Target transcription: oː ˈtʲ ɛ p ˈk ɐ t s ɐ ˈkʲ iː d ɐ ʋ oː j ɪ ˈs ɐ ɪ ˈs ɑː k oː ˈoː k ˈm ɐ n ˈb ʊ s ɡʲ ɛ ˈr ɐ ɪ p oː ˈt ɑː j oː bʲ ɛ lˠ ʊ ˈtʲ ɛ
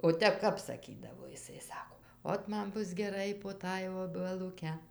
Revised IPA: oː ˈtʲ ɛ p ˈk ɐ p s ɐ ˈkʲ iː d ɐ ʋ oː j ɪ ˈs ɐ ɪ ˈs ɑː k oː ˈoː t ˈm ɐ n ˈb ʊ s ɡʲ ɛ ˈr ɐ ɪ p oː ˈt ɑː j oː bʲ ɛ lˠ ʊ ˈkʲ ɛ